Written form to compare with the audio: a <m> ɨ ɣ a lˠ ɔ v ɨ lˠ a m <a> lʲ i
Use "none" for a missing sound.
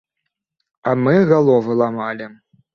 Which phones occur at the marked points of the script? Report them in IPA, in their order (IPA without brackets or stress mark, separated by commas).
m, a